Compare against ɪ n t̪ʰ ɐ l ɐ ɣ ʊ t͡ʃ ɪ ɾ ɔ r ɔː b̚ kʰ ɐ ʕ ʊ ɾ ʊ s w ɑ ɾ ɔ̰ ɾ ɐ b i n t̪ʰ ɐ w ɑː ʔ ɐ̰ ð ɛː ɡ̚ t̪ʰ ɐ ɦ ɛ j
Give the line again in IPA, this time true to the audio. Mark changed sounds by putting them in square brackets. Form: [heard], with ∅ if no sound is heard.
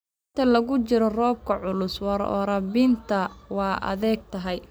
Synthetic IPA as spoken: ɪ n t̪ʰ ɐ l ɐ ɣ ʊ t͡ʃ ɪ ɾ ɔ r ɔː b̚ kʰ ɐ ʕ ʊ [l] ʊ s w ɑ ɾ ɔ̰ ɾ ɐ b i n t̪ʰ ɐ w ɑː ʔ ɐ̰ ð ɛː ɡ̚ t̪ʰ ɐ ɦ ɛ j